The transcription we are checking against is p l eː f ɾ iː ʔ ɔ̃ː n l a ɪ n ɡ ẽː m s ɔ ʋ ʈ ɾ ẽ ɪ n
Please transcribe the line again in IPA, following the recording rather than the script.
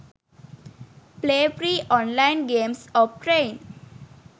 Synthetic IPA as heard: p l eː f ɾ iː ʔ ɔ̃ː n l a ɪ n ɡ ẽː m s ɔ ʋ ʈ ɾ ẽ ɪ n